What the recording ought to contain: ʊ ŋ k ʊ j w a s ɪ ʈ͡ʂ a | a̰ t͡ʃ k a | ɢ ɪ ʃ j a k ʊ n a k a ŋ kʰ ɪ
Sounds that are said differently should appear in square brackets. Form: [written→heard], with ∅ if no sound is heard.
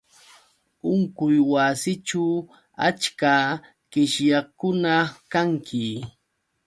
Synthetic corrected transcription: ʊ ŋ k ʊ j w a s ɪ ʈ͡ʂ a | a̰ t͡ʃ k a | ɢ ɪ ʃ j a k ʊ n a k a ŋ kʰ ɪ

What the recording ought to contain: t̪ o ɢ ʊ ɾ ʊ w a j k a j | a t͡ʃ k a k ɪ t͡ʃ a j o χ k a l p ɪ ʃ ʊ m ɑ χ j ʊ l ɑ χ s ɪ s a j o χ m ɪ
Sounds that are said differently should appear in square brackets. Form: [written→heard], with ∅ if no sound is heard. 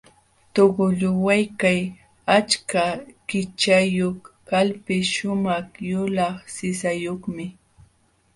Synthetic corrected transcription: t̪ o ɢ ʊ [ɾ→ʎ] ʊ w a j k a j | a t͡ʃ k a k ɪ t͡ʃ a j o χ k a l p ɪ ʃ ʊ m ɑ χ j ʊ l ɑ χ s ɪ s a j o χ m ɪ

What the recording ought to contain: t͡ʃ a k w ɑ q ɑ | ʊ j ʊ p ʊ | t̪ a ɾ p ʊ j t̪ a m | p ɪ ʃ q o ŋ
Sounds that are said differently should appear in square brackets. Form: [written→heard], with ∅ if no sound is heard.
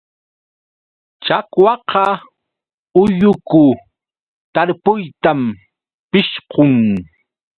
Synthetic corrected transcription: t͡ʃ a k w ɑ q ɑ | ʊ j ʊ [p→k] ʊ | t̪ a ɾ p ʊ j t̪ a m | p ɪ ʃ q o ŋ

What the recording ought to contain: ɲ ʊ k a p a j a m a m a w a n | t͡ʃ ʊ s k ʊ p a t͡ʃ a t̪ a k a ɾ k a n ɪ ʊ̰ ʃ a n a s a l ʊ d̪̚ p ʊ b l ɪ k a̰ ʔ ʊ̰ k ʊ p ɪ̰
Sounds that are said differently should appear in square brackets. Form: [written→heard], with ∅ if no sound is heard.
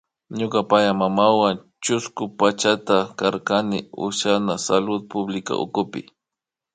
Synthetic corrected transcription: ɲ ʊ k a p a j a m a m a w a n | t͡ʃ ʊ s k ʊ p a t͡ʃ a t̪ a k a ɾ k a n ɪ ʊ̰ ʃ a n a s a l ʊ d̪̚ p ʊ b l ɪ k a̰ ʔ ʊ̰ k ʊ p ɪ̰

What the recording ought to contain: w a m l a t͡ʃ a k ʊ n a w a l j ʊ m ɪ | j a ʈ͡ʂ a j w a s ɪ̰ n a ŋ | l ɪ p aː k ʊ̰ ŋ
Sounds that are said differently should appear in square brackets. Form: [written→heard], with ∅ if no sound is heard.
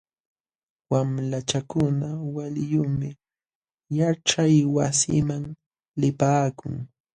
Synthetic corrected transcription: w a m l a t͡ʃ a k ʊ n a w a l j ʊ m ɪ | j a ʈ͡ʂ a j w a s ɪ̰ [n→m] a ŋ | l ɪ p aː k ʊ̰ ŋ

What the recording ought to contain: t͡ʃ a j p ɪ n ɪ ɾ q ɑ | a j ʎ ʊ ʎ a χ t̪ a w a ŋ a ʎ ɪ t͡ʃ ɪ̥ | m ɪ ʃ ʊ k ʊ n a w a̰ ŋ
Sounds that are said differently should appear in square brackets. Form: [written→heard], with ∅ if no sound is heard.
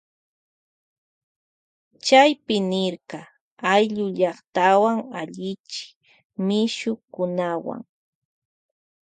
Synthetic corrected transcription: t͡ʃ a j p ɪ n ɪ ɾ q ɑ | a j ʎ ʊ ʎ [a→ɑ] χ t̪ a w a ŋ a ʎ ɪ t͡ʃ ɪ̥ | m ɪ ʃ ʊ k ʊ n a w a̰ ŋ

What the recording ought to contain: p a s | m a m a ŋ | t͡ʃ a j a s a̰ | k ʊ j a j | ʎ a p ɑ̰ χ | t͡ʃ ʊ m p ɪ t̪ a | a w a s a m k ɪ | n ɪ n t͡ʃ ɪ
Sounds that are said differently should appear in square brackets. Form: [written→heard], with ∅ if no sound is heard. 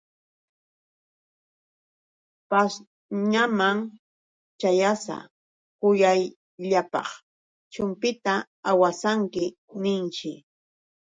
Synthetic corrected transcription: p a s | [m→ɲ] a m a ŋ | t͡ʃ a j a s a̰ | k ʊ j a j | ʎ a p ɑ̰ χ | t͡ʃ ʊ m p ɪ t̪ a | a w a s a [m→ŋ] k ɪ | n ɪ n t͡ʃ ɪ

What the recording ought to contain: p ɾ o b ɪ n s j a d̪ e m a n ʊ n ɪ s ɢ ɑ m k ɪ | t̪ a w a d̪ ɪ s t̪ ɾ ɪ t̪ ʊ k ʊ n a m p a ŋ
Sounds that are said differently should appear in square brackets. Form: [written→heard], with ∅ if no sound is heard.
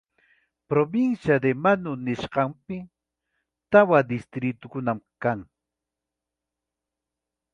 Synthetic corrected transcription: p ɾ o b ɪ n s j a d̪ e m a n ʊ n ɪ [s→ʃ] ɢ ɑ m [k→p] ɪ | t̪ a w a d̪ ɪ s t̪ ɾ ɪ t̪ ʊ k ʊ n a m [p→k] a ŋ

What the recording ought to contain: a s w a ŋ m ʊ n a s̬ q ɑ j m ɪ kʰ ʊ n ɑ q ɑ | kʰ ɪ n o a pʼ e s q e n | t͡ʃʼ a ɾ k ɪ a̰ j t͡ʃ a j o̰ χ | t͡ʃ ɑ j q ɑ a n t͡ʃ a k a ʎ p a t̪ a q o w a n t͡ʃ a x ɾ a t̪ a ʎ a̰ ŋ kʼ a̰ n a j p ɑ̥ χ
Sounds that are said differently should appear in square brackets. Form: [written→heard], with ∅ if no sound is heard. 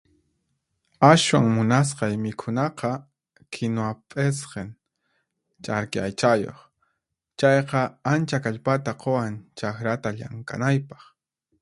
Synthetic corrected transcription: a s w a ŋ m ʊ n a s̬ q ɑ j m ɪ kʰ ʊ n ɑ q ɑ | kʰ ɪ n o a pʼ e s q e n | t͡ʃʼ a ɾ k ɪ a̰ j t͡ʃ a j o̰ χ | t͡ʃ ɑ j q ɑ a n t͡ʃ a k a ʎ p a t̪ a q o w a n t͡ʃ a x ɾ a t̪ a ʎ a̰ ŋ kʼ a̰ n a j p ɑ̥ χ

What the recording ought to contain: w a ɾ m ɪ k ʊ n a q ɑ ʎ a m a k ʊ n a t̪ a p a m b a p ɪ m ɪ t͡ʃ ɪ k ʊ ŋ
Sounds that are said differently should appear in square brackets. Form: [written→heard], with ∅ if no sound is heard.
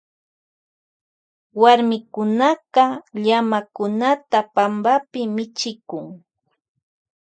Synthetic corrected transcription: w a ɾ m ɪ k ʊ n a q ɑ ʎ a m a k ʊ n a t̪ a p a m b a p ɪ m ɪ t͡ʃ ɪ k ʊ ŋ

